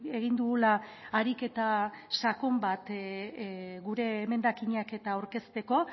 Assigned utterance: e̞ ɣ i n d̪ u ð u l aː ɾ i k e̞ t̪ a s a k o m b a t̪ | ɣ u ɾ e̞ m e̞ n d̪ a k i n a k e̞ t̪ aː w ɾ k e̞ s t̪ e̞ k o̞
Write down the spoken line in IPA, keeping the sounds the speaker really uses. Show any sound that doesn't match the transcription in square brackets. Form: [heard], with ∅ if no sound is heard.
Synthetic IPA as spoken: e̞ ɣ i n d̪ u [ɣ] u l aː ɾ i k e̞ t̪ a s a k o m b a t̪ | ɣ u ɾ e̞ m e̞ n d̪ a k i [ɲ] a k e̞ t̪ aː w ɾ k e̞ s t̪ e̞ k o̞